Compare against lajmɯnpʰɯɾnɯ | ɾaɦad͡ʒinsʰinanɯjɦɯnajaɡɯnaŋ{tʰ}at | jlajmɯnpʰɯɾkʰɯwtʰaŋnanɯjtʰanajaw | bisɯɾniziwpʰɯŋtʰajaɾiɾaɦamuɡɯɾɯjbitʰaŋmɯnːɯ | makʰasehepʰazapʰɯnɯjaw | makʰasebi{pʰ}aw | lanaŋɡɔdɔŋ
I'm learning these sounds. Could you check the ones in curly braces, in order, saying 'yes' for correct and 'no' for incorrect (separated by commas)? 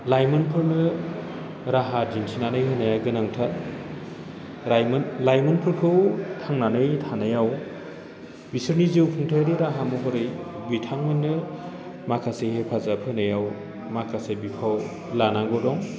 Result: yes, yes